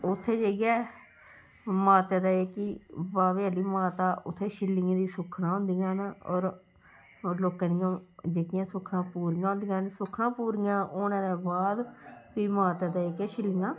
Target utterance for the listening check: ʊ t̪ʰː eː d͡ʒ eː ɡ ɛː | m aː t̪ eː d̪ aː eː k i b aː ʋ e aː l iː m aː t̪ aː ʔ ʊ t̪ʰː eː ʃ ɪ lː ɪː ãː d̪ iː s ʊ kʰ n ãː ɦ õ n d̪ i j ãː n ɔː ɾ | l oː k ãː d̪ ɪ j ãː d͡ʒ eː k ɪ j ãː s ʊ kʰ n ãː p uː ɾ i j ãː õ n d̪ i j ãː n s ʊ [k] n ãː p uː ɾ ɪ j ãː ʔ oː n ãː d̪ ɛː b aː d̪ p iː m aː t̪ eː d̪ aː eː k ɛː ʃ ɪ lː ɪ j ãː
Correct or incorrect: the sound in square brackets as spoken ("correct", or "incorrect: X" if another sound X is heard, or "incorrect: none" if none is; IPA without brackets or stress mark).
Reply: incorrect: kʰ